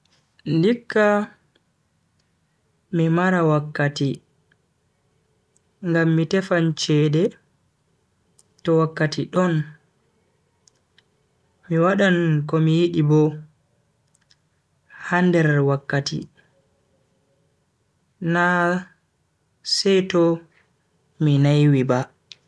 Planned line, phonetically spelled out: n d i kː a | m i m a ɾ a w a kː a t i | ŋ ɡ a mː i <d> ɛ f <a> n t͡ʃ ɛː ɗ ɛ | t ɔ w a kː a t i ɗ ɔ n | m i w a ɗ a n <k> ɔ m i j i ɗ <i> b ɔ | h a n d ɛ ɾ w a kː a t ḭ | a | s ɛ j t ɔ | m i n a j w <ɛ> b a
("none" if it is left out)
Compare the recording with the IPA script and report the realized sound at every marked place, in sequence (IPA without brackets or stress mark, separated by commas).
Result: t, a, k, i, i